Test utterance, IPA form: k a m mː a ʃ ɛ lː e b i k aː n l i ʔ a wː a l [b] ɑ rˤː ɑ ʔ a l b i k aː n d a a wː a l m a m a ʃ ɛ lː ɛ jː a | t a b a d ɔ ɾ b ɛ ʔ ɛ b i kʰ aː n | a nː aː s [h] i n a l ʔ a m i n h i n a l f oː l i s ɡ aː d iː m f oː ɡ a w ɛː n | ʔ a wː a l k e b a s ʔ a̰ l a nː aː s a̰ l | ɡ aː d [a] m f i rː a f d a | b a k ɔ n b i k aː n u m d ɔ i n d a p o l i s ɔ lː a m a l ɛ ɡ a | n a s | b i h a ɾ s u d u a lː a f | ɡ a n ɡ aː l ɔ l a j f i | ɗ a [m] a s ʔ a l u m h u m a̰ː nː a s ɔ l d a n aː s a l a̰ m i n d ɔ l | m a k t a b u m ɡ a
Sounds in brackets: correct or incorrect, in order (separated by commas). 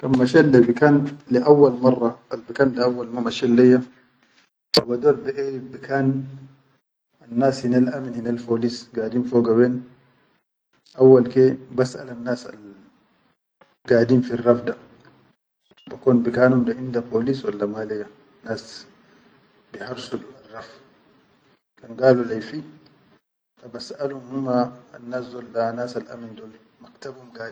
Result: incorrect, correct, incorrect, incorrect